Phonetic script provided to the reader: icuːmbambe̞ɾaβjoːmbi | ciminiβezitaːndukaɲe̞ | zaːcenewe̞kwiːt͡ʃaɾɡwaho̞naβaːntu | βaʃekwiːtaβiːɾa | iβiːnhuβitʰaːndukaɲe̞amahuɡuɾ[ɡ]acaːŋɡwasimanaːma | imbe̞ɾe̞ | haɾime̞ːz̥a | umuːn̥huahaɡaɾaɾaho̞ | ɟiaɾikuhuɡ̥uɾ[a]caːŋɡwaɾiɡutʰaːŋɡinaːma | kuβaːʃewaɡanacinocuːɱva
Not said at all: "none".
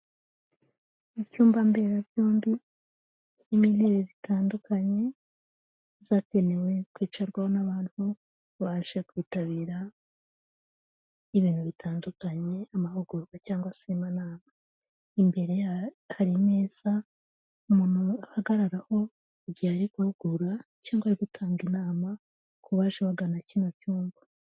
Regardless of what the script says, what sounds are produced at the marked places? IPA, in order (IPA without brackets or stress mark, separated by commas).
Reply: ɡ, a